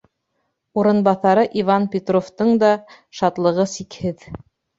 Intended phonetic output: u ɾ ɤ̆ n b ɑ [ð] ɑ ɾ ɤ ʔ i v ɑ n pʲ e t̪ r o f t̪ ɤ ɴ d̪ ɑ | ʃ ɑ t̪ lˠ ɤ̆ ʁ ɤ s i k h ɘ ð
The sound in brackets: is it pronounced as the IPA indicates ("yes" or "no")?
no